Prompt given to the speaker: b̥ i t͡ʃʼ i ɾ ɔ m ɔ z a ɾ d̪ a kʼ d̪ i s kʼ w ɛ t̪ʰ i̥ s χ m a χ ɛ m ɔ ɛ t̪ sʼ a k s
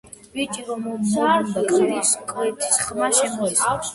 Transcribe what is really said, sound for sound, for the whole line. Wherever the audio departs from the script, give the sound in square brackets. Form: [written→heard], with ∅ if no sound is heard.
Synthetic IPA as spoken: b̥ i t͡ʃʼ i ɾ ɔ m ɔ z a ɾ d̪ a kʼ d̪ i s kʼ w ɛ t̪ʰ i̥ s χ m a [χ→ʃ] ɛ m ɔ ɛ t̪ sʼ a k s